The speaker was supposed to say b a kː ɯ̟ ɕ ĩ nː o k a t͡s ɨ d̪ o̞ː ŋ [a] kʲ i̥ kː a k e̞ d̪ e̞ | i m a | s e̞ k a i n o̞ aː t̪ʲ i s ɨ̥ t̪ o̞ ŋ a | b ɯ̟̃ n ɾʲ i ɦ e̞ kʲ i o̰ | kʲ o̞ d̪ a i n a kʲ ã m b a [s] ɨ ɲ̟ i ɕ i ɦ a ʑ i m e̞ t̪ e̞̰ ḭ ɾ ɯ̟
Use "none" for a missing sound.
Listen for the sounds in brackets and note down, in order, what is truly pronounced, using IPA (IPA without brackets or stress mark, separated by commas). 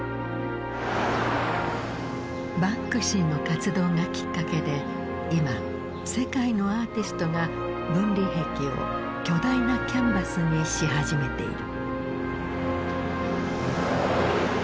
a, s